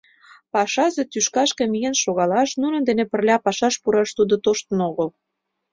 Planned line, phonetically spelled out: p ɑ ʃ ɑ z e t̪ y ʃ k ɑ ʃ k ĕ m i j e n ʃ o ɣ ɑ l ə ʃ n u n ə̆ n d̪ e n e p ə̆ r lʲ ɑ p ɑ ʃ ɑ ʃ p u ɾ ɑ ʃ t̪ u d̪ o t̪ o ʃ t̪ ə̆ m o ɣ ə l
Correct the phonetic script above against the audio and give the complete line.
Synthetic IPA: p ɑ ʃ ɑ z e t̪ y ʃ k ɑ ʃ k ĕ m i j e n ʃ o ɣ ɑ l ɑ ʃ n u n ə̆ n d̪ e n e p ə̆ r lʲ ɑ p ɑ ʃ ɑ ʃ p u ɾ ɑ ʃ t̪ u d̪ o t̪ o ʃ t̪ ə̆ n o ɣ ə l